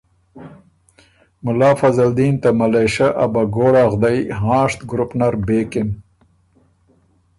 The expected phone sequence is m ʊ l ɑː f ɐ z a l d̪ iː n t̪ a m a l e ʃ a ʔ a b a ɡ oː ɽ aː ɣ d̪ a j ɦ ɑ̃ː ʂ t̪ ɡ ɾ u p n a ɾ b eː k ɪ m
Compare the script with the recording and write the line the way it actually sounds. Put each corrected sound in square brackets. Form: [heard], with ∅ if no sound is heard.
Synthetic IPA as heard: m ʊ l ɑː f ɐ z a l d̪ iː n t̪ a m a l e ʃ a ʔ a b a ɡ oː ɽ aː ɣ d̪ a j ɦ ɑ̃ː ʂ t̪ ɡ ɾ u p n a ɾ b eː k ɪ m